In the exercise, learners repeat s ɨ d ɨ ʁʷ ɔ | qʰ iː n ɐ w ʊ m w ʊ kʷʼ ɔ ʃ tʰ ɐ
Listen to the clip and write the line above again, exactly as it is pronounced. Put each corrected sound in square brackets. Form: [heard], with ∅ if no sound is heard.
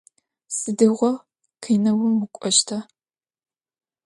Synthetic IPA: s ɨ d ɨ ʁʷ ɔ | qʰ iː n ɐ w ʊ m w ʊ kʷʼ ɔ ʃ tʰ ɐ